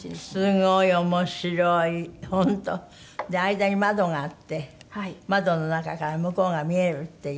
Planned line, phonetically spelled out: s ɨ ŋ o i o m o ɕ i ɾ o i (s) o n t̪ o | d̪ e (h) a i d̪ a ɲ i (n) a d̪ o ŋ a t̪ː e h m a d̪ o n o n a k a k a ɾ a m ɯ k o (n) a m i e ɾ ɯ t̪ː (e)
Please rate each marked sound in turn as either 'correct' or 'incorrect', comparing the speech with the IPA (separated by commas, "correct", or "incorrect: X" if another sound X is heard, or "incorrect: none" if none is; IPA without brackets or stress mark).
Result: incorrect: h, incorrect: none, incorrect: m, incorrect: ŋ, correct